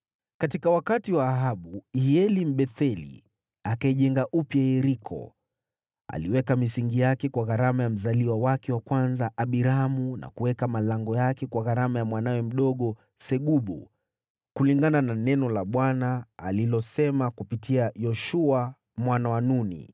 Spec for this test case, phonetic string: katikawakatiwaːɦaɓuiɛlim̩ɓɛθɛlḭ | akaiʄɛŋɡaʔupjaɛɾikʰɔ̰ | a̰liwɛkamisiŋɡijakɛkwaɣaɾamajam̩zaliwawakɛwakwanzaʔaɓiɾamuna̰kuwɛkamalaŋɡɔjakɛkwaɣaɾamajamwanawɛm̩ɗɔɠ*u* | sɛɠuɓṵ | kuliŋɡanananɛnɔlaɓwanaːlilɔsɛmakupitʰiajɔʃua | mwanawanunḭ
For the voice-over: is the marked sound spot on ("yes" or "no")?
no